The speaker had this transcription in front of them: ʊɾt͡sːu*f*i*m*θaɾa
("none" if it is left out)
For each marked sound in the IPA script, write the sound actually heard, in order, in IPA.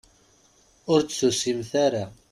s, m

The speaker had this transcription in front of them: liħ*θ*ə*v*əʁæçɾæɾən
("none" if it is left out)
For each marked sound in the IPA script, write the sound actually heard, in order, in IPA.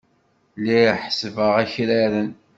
s, v

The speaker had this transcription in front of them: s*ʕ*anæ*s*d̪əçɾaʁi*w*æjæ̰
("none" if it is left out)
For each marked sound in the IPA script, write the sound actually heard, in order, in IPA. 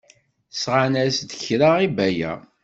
ʁ, s, b

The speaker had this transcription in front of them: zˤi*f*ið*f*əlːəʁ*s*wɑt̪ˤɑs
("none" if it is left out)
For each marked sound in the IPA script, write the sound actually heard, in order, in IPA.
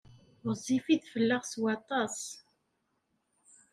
f, f, s

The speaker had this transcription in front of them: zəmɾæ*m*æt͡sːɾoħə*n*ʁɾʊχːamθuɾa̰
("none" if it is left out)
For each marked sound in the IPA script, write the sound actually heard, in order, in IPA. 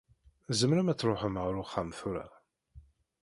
m, m

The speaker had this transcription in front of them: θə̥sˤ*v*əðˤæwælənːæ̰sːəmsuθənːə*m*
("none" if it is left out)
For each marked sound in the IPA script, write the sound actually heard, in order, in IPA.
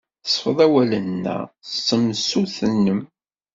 f, m

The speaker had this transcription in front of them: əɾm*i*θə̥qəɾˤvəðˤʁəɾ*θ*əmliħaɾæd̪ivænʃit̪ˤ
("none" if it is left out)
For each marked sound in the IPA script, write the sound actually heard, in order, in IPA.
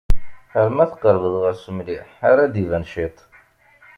æ, s

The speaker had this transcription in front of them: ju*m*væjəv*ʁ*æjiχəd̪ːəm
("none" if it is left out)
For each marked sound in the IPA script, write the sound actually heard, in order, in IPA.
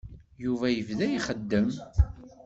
none, ð

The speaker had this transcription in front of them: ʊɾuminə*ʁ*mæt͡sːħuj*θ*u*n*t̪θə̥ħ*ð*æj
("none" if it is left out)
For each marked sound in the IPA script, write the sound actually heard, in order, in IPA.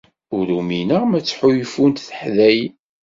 ʁ, f, n, ð

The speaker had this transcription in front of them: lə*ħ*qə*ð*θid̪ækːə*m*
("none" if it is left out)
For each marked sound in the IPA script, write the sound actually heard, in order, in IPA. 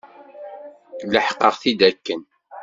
ħ, ʁ, n

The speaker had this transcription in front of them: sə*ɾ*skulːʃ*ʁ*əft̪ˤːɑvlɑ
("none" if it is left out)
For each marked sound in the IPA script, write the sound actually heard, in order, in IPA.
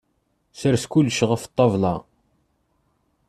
ɾ, ʁ

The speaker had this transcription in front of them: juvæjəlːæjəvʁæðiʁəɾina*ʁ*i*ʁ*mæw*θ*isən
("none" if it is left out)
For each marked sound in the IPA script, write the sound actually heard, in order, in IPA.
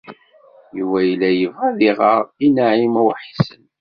ʕ, none, ħ

